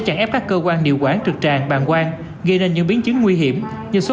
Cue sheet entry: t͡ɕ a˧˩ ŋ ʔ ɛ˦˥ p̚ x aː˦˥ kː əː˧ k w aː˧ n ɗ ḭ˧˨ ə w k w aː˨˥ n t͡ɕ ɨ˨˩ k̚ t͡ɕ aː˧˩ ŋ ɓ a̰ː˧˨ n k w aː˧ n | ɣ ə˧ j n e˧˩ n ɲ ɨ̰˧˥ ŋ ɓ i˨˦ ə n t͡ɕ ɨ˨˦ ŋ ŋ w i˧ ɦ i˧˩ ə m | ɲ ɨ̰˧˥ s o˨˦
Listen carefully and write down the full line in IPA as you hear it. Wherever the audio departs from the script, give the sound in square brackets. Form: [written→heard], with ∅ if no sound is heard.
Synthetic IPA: t͡ɕ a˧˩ ŋ ʔ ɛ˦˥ p̚ [x→k] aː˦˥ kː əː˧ k w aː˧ n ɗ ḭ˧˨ ə w k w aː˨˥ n t͡ɕ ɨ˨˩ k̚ t͡ɕ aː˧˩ ŋ ɓ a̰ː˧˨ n k w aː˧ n | ɣ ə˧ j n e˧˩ n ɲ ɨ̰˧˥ ŋ ɓ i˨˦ ə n t͡ɕ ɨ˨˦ ŋ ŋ w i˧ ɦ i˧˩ ə m | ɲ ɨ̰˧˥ s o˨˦